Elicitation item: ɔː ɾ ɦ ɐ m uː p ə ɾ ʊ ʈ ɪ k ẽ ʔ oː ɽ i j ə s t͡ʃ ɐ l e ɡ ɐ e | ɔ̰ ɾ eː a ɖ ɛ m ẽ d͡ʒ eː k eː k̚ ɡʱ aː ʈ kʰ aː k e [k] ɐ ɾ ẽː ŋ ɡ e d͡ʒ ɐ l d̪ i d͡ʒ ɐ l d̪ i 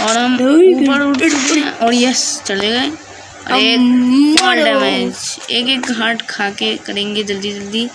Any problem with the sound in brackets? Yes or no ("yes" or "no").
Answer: no